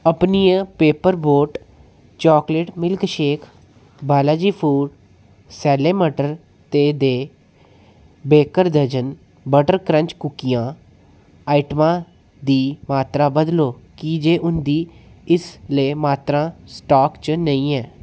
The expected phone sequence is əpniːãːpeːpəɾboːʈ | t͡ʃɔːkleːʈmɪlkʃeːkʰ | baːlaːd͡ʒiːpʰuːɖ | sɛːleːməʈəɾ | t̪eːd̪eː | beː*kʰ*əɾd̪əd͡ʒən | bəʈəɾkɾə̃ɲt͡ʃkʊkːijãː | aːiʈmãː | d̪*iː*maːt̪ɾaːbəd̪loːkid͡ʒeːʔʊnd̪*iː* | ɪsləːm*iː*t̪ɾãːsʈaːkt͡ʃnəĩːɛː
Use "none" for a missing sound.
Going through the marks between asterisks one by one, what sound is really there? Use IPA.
k, iː, iː, aː

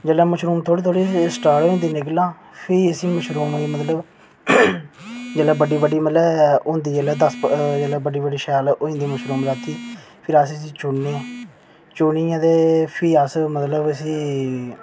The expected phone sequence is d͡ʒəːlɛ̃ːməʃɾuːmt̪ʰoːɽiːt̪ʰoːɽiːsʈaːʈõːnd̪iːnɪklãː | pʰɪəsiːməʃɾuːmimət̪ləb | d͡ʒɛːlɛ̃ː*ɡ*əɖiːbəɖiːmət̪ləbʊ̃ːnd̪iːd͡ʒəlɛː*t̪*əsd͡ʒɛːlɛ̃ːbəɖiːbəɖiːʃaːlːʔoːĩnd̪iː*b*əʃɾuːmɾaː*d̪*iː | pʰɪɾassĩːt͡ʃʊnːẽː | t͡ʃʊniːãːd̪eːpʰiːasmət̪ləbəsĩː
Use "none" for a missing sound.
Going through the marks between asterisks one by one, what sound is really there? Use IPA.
b, d̪, m, t̪

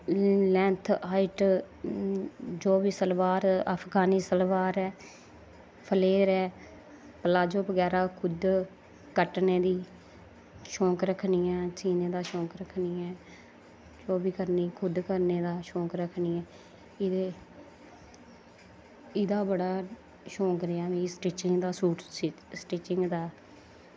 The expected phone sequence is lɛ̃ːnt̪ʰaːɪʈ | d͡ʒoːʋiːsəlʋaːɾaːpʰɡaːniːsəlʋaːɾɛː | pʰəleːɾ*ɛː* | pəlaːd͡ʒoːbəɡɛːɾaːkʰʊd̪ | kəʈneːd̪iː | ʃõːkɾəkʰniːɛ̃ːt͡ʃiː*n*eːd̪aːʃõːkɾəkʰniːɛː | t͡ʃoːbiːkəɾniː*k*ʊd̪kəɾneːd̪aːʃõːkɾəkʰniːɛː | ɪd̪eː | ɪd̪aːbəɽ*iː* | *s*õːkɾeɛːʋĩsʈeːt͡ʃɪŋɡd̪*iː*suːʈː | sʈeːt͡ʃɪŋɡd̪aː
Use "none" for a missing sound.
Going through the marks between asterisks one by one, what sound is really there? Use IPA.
ɛː, n, kʰ, aː, ʃ, aː

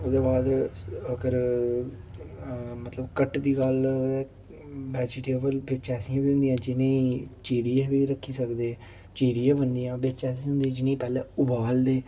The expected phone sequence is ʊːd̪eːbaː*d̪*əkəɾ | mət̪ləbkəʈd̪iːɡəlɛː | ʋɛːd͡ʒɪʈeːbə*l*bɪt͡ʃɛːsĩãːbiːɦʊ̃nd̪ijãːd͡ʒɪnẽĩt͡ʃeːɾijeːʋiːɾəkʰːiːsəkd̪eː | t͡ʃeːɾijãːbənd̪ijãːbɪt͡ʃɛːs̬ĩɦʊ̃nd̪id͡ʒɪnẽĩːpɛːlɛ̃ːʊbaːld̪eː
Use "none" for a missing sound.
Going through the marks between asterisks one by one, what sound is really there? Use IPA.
d̪, l

